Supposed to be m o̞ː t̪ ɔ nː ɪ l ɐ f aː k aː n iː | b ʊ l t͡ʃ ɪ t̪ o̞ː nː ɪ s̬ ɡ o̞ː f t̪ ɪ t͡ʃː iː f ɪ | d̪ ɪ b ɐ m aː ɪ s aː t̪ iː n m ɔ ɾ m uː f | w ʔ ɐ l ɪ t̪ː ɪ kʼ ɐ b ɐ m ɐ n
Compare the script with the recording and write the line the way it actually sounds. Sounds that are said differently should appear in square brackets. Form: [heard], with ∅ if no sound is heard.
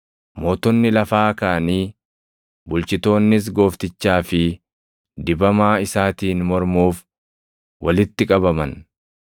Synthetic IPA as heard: m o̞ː t̪ ɔ nː ɪ l ɐ f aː k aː n iː | b ʊ l t͡ʃ ɪ t̪ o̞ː nː ɪ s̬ ɡ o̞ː f t̪ ɪ t͡ʃː [aː] f ɪ | d̪ ɪ b ɐ m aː ɪ s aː t̪ iː n m ɔ ɾ m uː f | w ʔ ɐ l ɪ t̪ː ɪ kʼ ɐ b ɐ m ɐ n